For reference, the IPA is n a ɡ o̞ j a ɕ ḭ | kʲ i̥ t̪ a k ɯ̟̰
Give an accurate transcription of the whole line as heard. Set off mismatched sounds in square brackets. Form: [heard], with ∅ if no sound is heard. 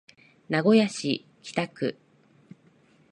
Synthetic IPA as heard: n a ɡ o̞ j a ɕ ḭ | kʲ i̥ t̪ a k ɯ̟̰